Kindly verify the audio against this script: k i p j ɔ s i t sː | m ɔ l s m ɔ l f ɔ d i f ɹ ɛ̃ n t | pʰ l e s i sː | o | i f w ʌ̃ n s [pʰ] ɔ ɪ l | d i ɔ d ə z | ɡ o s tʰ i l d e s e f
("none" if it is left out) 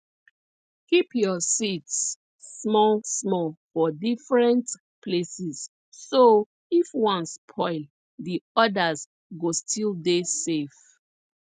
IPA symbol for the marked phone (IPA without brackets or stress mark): pʰ